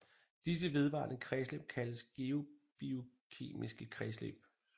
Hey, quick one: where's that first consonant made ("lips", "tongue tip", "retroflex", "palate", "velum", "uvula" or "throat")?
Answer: tongue tip